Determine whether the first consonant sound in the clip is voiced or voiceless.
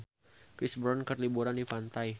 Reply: voiceless